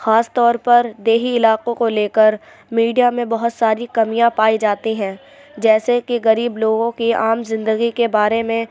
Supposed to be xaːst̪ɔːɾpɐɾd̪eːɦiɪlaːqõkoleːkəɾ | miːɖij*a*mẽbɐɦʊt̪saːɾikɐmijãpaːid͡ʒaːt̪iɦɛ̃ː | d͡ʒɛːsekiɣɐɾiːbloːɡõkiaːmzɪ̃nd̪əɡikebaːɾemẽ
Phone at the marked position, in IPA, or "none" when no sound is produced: a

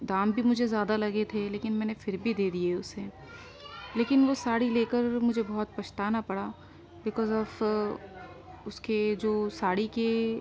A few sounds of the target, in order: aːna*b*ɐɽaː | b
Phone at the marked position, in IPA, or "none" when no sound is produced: p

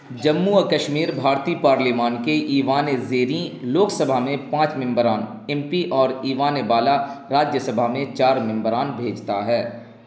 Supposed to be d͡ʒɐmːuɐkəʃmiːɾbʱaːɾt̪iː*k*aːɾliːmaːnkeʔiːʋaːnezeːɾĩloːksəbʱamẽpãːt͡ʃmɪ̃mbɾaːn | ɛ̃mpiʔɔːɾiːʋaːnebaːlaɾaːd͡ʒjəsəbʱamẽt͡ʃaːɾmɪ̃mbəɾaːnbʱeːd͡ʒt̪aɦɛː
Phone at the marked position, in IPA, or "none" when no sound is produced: p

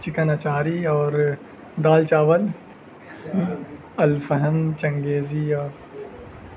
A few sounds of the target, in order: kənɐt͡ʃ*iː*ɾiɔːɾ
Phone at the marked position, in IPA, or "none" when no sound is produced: aː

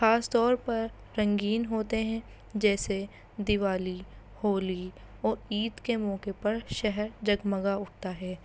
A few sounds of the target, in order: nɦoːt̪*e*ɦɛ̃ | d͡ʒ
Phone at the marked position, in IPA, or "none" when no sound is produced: e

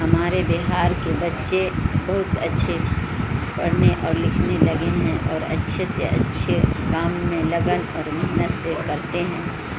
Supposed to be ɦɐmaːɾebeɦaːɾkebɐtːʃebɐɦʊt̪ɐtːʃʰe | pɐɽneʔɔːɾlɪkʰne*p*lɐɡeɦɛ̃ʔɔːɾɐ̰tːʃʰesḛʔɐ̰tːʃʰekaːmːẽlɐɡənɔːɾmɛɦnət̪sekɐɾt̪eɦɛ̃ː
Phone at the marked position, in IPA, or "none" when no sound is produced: none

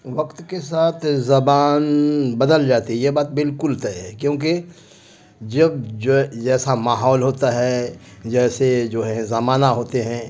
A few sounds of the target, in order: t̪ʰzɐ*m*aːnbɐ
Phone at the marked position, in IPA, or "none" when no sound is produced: b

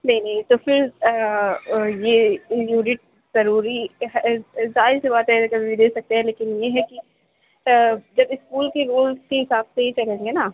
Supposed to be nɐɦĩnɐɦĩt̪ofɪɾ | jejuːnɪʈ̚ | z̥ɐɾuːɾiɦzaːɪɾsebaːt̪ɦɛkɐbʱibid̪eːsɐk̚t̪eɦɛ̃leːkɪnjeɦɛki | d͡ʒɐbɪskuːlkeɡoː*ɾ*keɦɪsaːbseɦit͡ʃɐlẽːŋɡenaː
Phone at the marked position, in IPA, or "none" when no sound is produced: l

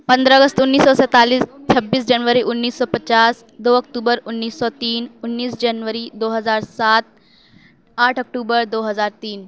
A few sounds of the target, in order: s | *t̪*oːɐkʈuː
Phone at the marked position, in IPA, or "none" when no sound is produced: d̪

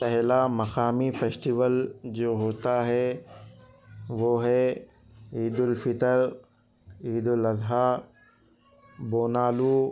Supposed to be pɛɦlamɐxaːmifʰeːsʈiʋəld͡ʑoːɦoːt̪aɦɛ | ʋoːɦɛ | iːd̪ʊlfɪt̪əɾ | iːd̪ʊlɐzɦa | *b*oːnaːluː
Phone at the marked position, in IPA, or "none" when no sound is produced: b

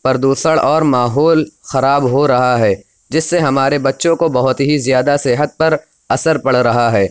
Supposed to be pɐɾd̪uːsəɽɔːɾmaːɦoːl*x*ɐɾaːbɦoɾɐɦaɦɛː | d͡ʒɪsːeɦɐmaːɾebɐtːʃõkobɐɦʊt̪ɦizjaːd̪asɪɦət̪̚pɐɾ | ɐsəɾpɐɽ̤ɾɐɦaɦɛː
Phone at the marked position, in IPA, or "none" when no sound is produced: x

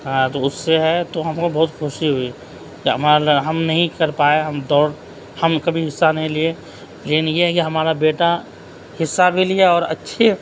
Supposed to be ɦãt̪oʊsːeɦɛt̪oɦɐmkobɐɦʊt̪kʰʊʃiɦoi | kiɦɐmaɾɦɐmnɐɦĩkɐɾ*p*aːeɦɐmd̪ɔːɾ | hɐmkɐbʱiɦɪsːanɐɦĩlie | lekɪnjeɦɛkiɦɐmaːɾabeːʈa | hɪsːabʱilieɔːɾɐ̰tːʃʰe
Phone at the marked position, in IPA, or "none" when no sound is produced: p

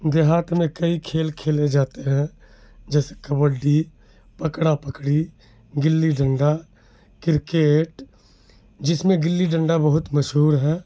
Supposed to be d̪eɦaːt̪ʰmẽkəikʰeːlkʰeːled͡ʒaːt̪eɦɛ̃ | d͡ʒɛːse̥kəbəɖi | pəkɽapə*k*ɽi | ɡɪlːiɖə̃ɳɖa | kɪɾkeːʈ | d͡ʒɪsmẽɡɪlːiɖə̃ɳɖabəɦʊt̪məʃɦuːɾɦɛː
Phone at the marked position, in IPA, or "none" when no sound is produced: k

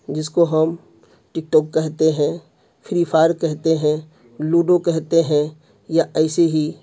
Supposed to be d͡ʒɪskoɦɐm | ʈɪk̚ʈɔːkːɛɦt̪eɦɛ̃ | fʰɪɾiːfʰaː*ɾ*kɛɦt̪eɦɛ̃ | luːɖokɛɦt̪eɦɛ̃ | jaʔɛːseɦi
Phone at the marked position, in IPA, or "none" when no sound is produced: ɾ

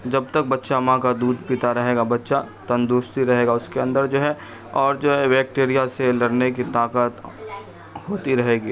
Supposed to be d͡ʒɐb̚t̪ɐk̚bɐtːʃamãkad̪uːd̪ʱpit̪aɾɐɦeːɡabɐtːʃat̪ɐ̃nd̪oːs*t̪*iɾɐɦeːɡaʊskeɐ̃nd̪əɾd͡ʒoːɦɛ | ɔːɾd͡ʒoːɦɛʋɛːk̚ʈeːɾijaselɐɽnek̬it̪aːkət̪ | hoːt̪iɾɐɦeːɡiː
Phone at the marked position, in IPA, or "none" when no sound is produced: t̪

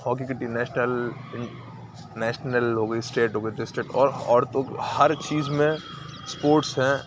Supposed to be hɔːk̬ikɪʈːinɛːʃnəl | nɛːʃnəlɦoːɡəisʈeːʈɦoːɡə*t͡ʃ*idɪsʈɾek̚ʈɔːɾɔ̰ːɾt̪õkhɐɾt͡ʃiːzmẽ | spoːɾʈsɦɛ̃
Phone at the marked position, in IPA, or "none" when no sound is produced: none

